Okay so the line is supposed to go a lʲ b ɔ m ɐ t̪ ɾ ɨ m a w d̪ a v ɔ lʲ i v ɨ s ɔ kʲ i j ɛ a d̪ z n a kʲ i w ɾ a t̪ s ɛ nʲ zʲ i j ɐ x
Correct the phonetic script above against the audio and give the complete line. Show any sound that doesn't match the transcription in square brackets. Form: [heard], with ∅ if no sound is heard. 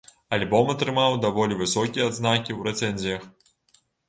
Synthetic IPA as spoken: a lʲ b ɔ m ɐ t̪ ɾ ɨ m a w d̪ a v ɔ lʲ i v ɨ s ɔ kʲ i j ɛ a d̪ z n a kʲ i w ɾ [ɛ] t̪ s ɛ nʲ zʲ i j ɐ x